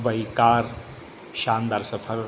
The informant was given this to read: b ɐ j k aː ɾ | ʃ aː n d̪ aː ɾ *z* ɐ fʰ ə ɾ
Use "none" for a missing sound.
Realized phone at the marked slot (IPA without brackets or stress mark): s